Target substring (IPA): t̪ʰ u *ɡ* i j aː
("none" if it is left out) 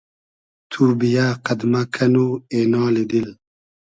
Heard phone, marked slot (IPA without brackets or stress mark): b